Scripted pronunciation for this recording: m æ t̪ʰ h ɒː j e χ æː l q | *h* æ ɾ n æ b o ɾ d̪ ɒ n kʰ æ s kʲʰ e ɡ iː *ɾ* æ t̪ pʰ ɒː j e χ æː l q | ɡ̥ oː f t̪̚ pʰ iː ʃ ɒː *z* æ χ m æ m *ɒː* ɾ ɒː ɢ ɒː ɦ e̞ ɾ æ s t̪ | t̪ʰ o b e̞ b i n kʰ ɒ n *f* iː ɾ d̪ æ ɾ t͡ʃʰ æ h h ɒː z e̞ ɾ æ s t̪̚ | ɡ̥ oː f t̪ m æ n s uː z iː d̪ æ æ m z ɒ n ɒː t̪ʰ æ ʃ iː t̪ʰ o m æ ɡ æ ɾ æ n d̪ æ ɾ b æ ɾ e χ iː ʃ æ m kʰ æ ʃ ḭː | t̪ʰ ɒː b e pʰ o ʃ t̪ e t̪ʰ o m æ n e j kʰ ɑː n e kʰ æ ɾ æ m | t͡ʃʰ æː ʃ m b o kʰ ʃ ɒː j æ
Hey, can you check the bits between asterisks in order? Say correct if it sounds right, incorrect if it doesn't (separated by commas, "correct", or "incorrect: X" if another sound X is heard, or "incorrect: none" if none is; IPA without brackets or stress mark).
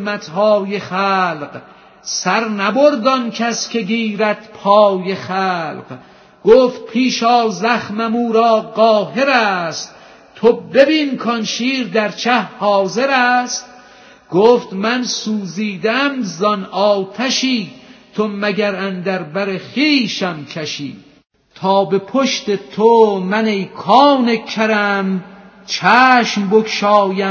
incorrect: s, correct, correct, incorrect: uː, incorrect: ʃ